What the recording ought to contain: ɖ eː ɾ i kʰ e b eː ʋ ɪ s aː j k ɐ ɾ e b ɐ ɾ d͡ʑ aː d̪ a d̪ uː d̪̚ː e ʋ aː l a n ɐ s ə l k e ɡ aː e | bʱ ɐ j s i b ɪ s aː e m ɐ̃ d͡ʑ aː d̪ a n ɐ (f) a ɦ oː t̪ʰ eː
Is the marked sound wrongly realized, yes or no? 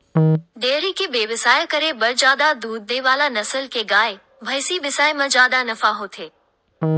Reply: no